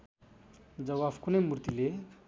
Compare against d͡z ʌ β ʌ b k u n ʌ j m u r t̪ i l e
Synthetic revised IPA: d͡z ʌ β a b k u n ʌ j m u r t̪ i l e